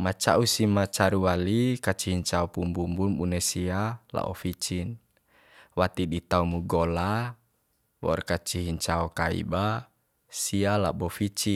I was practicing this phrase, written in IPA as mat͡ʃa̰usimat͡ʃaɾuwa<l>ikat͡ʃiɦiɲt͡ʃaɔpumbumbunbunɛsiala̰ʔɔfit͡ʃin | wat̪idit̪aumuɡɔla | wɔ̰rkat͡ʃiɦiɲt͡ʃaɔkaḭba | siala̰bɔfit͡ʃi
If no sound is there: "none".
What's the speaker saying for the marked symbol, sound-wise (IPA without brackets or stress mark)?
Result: l